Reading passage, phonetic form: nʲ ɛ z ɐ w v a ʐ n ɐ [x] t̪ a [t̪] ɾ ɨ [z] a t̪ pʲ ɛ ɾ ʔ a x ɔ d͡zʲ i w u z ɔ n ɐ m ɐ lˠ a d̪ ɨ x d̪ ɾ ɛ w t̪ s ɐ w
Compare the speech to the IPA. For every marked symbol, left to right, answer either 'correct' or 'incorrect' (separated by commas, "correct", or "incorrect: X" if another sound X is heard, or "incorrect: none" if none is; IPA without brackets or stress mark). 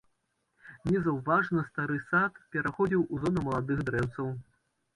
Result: incorrect: s, incorrect: none, incorrect: s